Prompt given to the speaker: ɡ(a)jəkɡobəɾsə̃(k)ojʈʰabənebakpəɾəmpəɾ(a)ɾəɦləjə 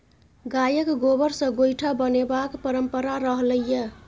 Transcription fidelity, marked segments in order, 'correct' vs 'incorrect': correct, incorrect: ɡ, correct

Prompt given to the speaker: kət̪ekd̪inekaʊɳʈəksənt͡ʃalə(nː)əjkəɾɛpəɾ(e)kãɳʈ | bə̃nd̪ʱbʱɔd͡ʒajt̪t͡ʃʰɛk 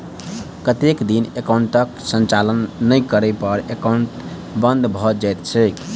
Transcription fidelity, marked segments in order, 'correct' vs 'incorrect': correct, correct

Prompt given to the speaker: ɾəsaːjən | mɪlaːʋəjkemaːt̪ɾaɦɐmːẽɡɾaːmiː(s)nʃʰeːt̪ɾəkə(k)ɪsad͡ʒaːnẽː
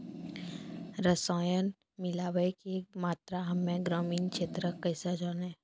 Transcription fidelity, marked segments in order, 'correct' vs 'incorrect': incorrect: none, incorrect: none

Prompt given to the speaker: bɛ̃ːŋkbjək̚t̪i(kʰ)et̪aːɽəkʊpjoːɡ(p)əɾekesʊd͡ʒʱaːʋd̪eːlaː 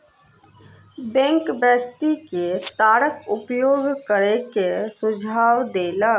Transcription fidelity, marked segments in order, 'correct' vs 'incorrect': incorrect: k, incorrect: k

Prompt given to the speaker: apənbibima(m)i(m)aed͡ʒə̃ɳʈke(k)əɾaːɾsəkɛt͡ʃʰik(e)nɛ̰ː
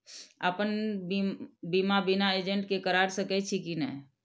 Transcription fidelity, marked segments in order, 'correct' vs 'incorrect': incorrect: b, incorrect: n, correct, incorrect: i

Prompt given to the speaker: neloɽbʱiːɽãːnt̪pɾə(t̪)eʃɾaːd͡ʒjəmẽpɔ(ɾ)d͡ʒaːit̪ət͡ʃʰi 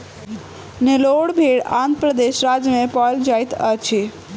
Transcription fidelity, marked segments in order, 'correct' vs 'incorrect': incorrect: d̪, incorrect: l

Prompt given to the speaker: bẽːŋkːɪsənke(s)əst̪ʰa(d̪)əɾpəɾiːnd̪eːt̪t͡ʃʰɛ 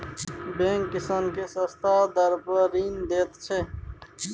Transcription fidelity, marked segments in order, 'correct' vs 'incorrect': correct, correct

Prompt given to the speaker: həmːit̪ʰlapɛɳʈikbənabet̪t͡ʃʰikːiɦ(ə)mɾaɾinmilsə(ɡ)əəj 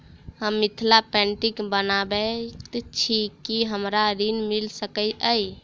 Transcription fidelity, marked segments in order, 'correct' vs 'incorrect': correct, incorrect: k

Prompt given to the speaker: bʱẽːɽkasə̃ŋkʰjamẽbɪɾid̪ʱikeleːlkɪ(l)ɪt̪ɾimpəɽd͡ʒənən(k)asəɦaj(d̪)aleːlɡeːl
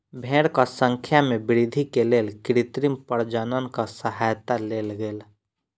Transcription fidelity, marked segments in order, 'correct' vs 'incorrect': incorrect: ɾ, correct, incorrect: t̪

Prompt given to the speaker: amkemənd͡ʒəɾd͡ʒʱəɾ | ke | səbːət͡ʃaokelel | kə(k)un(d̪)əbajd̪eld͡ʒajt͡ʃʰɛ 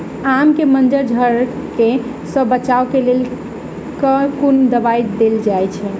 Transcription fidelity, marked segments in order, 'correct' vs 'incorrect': correct, correct

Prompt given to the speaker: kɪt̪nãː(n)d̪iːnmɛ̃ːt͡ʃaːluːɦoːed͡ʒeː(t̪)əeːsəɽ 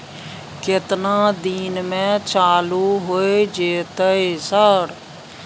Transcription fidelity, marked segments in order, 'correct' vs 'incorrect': incorrect: none, correct

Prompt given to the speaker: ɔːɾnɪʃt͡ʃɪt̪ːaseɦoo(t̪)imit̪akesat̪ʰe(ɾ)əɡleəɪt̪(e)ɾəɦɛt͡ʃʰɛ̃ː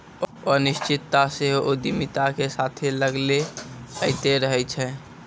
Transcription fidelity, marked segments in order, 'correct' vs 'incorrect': incorrect: d̪, incorrect: l, correct

